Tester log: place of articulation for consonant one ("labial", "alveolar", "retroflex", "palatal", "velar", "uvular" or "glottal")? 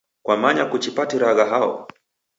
velar